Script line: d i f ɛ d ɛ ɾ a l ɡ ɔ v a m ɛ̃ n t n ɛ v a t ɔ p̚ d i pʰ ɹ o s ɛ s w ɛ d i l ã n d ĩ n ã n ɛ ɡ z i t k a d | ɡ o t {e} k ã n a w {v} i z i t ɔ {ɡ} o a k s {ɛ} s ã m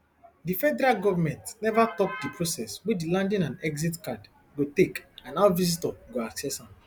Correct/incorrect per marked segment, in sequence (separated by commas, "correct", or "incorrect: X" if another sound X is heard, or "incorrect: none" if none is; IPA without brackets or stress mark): correct, correct, correct, correct